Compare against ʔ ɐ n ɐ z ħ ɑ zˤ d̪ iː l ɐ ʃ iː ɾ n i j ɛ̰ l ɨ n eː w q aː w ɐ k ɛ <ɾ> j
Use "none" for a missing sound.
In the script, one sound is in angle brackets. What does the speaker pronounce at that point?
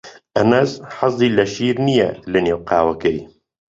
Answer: none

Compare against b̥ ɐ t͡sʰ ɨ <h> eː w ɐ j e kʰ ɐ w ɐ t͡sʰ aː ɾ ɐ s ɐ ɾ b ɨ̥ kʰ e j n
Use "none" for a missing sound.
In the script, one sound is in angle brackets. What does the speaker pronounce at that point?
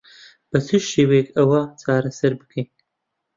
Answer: ʃ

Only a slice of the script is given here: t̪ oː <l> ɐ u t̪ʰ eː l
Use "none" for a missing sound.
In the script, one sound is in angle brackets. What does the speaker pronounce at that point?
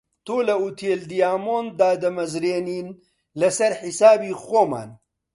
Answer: l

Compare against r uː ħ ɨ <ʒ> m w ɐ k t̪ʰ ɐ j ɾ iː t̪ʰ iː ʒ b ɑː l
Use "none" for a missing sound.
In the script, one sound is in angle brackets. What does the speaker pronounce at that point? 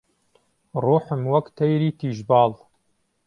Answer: none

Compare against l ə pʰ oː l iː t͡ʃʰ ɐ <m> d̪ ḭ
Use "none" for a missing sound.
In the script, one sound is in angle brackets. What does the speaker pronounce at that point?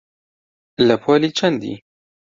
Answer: n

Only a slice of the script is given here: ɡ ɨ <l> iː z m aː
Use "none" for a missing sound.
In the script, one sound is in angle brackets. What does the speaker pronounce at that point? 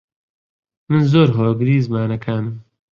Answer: ɾ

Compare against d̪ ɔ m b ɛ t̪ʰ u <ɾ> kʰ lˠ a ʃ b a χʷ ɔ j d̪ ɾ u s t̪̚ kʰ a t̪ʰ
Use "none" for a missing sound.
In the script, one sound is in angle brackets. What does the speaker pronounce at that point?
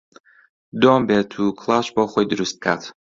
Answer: none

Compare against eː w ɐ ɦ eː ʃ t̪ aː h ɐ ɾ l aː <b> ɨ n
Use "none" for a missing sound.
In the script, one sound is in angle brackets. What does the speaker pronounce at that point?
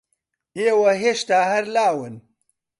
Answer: w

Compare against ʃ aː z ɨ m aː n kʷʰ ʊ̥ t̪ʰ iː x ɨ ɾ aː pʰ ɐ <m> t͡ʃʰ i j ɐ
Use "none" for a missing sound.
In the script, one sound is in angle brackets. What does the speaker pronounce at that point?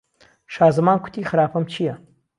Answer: m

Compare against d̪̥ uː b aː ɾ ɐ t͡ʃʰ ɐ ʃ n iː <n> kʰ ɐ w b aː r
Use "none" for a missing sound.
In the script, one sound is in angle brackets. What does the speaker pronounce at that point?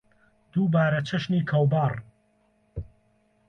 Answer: none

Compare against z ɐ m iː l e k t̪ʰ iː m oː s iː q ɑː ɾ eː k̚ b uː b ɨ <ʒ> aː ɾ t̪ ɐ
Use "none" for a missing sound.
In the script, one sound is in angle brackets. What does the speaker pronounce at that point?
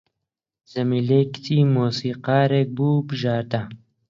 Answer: ʒ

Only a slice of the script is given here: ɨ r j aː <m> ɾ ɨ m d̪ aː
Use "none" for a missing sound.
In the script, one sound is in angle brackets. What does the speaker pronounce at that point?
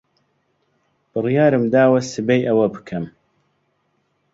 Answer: none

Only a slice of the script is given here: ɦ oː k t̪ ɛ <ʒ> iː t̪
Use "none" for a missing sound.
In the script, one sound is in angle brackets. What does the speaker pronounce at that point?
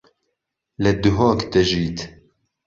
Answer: ʒ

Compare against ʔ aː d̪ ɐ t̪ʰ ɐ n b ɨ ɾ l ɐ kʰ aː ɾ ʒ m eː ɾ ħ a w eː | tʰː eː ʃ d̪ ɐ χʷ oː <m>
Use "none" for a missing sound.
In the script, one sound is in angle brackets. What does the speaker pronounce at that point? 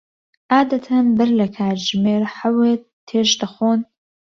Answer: n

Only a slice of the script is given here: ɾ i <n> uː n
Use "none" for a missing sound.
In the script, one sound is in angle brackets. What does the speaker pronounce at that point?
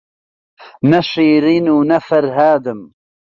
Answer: n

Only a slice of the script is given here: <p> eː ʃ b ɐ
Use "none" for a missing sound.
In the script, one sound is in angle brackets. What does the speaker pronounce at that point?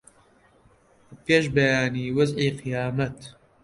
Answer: p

